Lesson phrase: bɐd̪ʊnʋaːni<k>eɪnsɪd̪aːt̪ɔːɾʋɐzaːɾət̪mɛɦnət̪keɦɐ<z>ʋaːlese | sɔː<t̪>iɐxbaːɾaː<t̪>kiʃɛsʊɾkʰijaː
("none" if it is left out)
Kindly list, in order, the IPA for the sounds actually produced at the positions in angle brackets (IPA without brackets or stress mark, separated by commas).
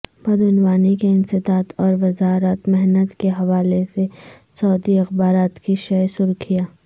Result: k, none, d̪, t̪